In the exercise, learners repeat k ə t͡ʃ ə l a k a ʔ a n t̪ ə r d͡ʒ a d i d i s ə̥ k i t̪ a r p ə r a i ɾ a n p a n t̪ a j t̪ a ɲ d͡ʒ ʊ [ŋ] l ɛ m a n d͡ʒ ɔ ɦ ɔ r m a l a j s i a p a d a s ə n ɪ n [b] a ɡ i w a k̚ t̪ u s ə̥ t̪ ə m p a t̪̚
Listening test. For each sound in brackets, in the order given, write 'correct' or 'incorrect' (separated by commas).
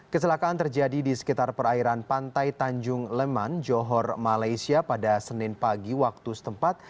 correct, incorrect